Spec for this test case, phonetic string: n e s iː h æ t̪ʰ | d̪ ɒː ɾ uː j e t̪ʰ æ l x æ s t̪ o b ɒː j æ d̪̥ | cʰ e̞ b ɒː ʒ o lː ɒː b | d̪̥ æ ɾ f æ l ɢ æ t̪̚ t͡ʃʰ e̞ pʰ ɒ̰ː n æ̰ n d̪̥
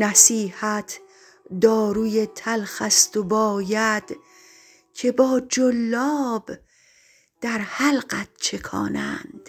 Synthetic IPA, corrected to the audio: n æ s iː h æ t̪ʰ | d̪ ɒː ɾ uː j e t̪ʰ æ l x æ s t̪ o b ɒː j æ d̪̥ | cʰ e̞ b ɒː d͡ʒ o lː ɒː b | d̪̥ æ ɾ h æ l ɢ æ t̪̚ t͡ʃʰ e̞ kʰ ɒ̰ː n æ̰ n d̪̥